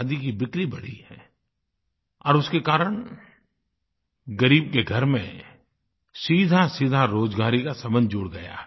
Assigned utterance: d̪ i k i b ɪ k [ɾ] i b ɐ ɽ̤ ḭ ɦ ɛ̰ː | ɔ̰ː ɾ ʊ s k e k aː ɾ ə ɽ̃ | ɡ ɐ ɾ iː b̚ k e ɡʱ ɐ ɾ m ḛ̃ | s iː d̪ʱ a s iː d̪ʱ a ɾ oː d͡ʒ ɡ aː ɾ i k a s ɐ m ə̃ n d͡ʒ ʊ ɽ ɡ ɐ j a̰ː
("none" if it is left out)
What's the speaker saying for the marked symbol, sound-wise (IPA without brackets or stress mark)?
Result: ɾ